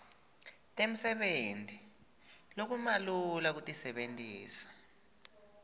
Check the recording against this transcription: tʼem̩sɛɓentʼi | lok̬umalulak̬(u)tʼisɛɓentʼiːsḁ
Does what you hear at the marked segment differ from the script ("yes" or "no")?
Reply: no